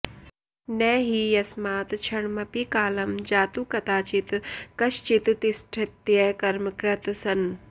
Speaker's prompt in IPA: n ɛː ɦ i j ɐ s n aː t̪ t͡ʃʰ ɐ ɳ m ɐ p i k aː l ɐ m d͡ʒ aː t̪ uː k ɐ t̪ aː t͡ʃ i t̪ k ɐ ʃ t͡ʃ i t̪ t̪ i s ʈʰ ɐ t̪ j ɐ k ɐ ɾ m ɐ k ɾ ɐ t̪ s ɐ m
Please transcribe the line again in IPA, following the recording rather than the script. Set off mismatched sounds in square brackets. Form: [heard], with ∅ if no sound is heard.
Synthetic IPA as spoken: n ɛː ɦ i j ɐ s [m] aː t̪ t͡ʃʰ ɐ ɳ m ɐ p i k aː l ɐ m d͡ʒ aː t̪ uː k ɐ t̪ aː t͡ʃ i t̪ k ɐ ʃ t͡ʃ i t̪ t̪ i s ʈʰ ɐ t̪ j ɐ k ɐ ɾ m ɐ k ɾ ɐ t̪ s ɐ [n]